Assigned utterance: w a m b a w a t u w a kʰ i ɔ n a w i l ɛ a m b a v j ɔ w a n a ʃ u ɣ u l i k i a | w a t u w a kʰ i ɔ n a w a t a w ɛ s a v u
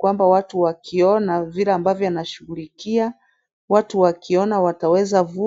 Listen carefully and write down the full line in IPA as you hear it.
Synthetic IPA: w a m b a w a t u w a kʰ i ɔ n a v i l ɛ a m b a v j ɔ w a n a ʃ u ɣ u l i k i a | w a t u w a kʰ i ɔ n a w a t a w ɛ z a v u